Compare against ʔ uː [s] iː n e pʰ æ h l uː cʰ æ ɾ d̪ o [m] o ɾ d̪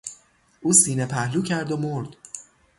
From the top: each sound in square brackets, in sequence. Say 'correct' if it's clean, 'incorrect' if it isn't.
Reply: correct, correct

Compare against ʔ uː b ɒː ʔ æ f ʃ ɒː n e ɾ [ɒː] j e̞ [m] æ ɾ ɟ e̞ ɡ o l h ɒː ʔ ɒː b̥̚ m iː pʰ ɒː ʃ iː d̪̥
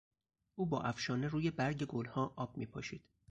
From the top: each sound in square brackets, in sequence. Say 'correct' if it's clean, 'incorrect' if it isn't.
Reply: incorrect, incorrect

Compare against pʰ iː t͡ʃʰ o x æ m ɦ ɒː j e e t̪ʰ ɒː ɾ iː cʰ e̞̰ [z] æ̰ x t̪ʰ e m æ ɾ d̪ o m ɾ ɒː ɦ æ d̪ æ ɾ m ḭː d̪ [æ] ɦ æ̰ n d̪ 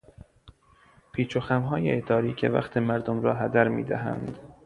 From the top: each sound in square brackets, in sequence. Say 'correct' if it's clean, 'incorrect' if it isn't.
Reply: incorrect, correct

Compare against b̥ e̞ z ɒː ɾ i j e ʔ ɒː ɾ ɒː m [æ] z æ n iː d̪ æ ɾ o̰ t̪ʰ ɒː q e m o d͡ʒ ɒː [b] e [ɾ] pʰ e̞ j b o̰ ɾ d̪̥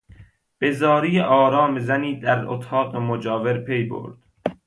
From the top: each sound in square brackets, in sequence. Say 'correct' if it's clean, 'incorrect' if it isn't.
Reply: incorrect, incorrect, correct

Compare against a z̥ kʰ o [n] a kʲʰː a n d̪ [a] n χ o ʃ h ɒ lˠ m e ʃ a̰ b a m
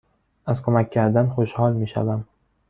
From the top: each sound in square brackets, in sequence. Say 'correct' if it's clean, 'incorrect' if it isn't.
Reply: incorrect, correct

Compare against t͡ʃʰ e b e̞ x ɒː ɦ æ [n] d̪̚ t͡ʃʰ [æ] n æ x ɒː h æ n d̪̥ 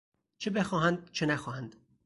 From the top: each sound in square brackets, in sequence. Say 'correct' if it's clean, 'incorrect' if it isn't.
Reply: correct, incorrect

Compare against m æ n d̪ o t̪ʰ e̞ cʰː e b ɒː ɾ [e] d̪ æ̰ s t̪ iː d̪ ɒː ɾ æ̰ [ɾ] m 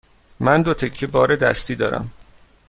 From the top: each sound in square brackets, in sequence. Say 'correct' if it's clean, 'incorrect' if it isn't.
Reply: correct, incorrect

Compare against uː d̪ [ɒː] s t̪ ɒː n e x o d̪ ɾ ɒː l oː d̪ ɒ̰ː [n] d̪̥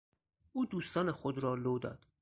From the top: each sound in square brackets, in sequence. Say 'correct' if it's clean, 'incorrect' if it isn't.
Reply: incorrect, incorrect

